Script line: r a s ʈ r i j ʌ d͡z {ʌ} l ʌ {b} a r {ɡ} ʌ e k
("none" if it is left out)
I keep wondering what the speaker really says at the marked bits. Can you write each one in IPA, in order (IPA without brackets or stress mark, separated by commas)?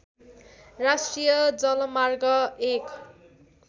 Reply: ʌ, m, ɡ